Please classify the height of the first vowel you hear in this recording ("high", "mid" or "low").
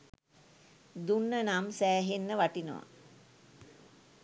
high